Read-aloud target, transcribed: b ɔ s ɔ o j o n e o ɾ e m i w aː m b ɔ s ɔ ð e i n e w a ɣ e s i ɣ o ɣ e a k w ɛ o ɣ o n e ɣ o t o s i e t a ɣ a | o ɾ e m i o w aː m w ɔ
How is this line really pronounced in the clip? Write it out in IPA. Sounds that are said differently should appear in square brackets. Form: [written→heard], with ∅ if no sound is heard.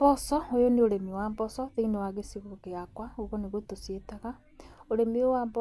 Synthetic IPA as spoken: b ɔ s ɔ o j o n e o ɾ e m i w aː m b ɔ s ɔ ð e i n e w a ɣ e s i ɣ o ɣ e a k w [ɛ→a] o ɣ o n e ɣ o t o s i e t a ɣ a | o ɾ e m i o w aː m [w→b] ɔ